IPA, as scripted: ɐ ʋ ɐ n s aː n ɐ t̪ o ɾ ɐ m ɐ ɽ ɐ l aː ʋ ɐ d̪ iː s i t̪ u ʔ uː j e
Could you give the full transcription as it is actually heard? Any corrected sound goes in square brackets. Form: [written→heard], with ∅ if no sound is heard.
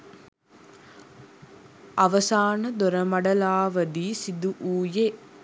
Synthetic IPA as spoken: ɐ ʋ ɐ [n→∅] s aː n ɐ [t̪→d̪] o ɾ ɐ m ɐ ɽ ɐ l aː ʋ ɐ d̪ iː s i [t̪→d̪] u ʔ uː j e